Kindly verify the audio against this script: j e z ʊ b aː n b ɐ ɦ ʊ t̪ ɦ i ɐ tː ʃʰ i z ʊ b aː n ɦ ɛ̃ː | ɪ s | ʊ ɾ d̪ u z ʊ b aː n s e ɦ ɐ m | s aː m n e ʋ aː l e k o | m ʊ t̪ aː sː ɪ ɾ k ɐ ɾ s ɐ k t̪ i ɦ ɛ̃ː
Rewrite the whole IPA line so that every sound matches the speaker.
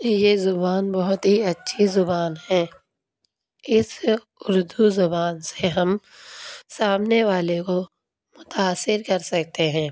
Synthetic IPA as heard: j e z ʊ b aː n b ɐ ɦ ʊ t̪ ɦ i ɐ tː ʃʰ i z ʊ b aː n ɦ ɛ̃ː | ɪ s | ʊ ɾ d̪ u z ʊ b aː n s e ɦ ɐ m | s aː m n e ʋ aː l e k o | m ʊ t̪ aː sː ɪ ɾ k ɐ ɾ s ɐ k t̪ e ɦ ɛ̃ː